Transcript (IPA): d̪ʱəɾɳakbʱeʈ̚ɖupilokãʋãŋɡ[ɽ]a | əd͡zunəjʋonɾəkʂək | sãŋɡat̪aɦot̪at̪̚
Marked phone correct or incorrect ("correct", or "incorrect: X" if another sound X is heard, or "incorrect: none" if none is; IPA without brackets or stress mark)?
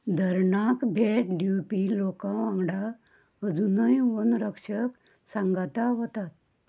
correct